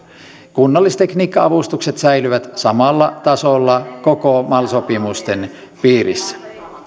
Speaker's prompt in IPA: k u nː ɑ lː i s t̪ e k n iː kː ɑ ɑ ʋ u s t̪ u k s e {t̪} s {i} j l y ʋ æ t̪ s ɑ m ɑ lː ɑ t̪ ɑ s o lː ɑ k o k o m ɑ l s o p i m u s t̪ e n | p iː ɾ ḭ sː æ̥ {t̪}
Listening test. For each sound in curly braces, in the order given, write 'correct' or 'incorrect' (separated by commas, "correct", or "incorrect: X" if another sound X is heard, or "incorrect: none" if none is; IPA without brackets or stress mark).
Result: correct, incorrect: æ, incorrect: none